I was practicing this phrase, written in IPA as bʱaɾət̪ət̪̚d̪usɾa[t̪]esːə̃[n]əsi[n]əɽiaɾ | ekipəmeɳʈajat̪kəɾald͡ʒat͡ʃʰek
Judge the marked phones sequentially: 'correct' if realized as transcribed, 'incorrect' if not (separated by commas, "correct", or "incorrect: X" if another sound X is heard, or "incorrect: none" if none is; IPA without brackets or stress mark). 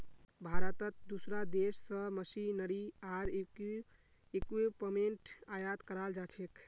incorrect: d̪, incorrect: m, correct